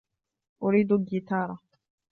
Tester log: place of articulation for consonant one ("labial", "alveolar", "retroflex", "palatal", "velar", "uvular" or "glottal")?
glottal